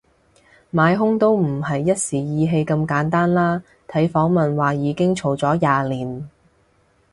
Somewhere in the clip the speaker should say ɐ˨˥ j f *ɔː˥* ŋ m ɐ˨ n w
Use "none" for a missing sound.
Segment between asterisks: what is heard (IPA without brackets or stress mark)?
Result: ɔː˨˥